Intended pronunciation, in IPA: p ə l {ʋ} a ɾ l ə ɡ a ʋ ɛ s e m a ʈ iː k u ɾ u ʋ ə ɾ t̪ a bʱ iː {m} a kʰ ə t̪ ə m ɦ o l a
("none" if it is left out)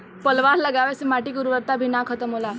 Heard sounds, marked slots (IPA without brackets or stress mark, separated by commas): ʋ, n